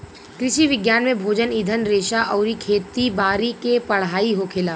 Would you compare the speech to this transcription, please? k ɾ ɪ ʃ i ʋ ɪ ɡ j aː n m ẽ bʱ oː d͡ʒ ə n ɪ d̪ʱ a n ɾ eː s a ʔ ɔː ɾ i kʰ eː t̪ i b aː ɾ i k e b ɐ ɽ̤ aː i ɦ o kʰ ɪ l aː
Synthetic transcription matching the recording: k ɾ ɪ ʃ i ʋ ɪ ɡ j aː n m ẽ bʱ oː d͡ʒ ə n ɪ d̪ʱ ə n ɾ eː ʃ a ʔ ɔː ɾ i kʰ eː t̪ i b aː ɾ i k e p ɐ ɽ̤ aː i ɦ o kʰ ɪ l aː

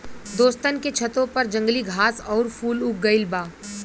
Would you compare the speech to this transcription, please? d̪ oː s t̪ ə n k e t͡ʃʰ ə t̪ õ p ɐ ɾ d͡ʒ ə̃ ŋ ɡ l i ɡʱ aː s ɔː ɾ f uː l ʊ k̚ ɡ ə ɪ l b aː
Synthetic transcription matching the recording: d̪ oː s t̪ ə n k e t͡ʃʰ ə t̪ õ p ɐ ɾ d͡ʒ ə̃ ŋ ɡ l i ɡʱ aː s ɔː ɾ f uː l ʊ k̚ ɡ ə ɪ l b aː

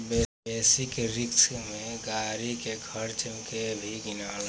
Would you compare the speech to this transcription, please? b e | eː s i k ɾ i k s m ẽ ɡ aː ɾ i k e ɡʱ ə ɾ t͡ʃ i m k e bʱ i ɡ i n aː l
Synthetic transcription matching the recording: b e | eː s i k ɾ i k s m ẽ ɡ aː ɾ i k e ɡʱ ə ɾ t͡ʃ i m k e bʱ i ɡ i n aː l

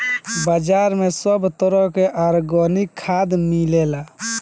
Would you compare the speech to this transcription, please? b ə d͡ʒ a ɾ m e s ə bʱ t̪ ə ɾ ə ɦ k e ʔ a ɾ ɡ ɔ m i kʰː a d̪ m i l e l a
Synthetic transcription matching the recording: b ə d͡ʒ a ɾ m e s ə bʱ t̪ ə ɾ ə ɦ k e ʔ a ɾ ɡ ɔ n i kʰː a d̪ m i l e l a

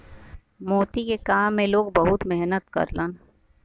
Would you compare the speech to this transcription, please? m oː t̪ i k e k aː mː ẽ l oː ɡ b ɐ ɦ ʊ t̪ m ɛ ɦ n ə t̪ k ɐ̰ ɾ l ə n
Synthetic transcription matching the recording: m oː t̪ i k e k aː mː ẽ l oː ɡ b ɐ ɦ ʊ t̪ m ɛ ɦ n ə t̪ k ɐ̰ ɾ l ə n

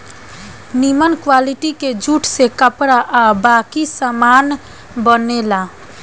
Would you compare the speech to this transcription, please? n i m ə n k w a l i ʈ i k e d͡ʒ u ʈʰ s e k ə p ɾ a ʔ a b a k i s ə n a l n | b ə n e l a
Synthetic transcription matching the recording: n i m ə n k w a l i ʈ i k e d͡ʒ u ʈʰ s e k ə p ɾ a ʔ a b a k i s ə m a n | b ə n e l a

